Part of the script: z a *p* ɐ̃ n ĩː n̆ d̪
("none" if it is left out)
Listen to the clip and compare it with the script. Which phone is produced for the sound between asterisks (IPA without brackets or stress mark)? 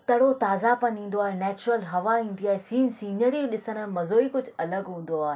p